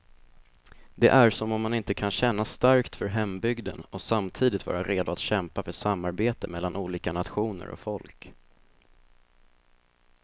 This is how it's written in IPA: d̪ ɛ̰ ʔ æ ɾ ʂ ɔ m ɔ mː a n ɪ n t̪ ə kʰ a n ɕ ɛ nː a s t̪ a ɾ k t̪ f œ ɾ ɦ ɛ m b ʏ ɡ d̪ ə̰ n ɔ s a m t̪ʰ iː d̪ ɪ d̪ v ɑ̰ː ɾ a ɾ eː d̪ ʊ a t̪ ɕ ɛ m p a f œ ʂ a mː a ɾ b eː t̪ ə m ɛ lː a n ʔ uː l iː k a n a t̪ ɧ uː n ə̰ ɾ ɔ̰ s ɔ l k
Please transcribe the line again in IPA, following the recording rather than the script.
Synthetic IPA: d̪ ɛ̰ ʔ æ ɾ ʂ ɔ m ɔ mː a n ɪ n t̪ ə kʰ a n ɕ ɛ nː a s t̪ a ɾ k t̪ f œ ɾ ɦ ɛ m b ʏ ɡ d̪ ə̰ n ɔ s a m t̪ʰ iː d̪ ɪ t̪ v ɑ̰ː ɾ a ɾ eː d̪ ʊ a t̪ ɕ ɛ m p a f œ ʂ a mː a ɾ b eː t̪ ə m ɛ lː a n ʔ uː l iː k a n a t̪ ɧ uː n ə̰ ɾ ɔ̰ f ɔ l k